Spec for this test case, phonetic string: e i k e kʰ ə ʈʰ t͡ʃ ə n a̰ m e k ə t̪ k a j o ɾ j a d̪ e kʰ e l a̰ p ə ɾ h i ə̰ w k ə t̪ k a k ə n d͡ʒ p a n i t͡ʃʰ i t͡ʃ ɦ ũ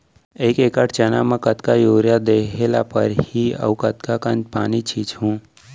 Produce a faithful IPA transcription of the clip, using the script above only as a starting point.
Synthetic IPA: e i k e k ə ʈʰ t͡ʃ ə n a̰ m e k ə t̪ k a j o ɾ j a d̪ e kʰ e l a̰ p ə ɾ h i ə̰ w k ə t̪ k a k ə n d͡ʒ p a n i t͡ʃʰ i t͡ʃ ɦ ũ